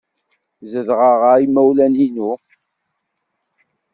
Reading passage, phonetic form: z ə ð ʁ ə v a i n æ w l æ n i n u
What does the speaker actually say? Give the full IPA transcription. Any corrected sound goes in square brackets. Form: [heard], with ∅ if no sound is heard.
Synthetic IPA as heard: z ə ð ʁ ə [ʁ] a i [m] æ w l æ n i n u